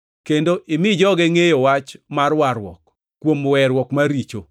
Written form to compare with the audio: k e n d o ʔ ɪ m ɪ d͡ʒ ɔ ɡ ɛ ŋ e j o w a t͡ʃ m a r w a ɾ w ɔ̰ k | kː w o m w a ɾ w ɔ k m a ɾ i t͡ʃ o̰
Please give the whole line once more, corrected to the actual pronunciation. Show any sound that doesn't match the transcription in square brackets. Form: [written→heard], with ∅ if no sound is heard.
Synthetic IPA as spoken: k e n d o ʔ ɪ m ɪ d͡ʒ ɔ ɡ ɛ ŋ e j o w a t͡ʃ m a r w a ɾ w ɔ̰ k | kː w o m w [a→ɛ] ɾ w ɔ k m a ɾ i t͡ʃ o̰